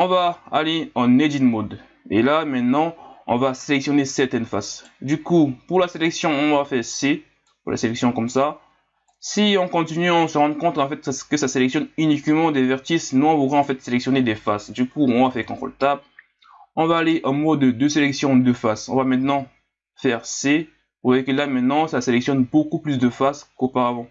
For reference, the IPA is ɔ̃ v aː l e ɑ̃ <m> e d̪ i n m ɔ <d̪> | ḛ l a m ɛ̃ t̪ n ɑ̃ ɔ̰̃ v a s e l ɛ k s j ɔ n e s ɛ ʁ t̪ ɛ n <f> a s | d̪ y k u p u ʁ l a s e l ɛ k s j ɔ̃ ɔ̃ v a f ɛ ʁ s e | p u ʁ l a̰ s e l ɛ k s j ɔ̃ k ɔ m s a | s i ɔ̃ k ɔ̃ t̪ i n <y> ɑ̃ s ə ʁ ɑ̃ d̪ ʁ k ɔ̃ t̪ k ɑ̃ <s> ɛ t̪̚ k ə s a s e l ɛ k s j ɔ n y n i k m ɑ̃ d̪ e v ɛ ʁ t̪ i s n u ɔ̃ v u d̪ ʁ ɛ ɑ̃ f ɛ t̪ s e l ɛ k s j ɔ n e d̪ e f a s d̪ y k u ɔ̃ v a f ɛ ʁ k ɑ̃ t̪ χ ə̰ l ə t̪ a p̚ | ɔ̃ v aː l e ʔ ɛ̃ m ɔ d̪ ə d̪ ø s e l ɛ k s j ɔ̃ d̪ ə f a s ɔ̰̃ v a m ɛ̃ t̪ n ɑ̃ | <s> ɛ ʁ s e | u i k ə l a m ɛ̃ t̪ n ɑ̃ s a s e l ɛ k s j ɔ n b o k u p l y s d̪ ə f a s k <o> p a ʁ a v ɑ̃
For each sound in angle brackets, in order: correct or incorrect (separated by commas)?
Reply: incorrect, correct, correct, correct, incorrect, incorrect, correct